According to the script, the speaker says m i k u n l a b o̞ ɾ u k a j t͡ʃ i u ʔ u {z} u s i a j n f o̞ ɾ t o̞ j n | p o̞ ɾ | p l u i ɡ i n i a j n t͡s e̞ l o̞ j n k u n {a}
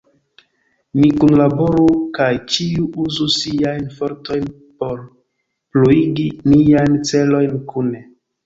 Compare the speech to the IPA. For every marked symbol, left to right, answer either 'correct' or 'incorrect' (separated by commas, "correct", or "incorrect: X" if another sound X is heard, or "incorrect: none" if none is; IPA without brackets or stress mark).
correct, incorrect: e